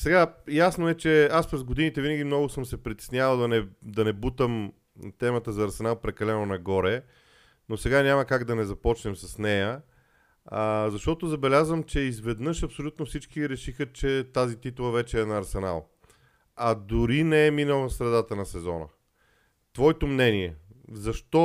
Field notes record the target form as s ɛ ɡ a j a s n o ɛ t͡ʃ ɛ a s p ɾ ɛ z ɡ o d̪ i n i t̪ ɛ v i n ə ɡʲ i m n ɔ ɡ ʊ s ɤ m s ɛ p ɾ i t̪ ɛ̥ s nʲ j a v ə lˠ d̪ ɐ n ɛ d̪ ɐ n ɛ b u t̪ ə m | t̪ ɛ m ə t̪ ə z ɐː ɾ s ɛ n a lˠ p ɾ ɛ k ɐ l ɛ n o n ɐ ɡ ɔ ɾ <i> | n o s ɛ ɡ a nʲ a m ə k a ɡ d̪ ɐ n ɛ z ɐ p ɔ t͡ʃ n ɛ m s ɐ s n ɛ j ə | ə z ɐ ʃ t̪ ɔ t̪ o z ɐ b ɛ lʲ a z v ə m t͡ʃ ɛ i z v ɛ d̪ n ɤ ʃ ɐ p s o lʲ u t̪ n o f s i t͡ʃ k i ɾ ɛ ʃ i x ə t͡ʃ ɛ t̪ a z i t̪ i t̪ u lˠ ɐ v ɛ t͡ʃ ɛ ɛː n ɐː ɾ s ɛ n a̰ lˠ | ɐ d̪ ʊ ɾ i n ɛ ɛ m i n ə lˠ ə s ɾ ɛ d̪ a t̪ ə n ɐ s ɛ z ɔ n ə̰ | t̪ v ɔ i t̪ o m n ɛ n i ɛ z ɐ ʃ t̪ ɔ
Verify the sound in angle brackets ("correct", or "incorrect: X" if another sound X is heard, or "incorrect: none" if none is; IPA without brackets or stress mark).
incorrect: ɛ